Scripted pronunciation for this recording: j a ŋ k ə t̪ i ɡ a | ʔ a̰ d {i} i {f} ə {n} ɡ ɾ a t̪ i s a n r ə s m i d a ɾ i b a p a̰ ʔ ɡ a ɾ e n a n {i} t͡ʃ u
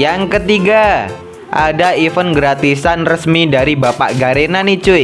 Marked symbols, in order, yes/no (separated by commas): no, yes, yes, yes